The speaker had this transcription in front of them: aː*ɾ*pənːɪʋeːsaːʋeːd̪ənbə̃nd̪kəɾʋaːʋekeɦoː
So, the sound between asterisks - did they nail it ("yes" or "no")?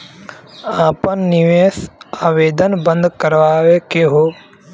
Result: no